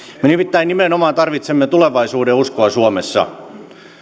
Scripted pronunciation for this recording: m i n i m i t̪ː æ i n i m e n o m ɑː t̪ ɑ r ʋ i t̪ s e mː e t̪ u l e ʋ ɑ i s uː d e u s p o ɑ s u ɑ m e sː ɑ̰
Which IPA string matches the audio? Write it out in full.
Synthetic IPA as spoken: m e n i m i t̪ː æ i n i m e n o m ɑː t̪ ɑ r ʋ i t̪ s e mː e t̪ u l e ʋ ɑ i s uː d e u s k o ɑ s u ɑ m e sː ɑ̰